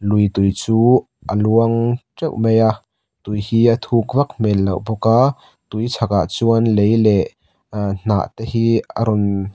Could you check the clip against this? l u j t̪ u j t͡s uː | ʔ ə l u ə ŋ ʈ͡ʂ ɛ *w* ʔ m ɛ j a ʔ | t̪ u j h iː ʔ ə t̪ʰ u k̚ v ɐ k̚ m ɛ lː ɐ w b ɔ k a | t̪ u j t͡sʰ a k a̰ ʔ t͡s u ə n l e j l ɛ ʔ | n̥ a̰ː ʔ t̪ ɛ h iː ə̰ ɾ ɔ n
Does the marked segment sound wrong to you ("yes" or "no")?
no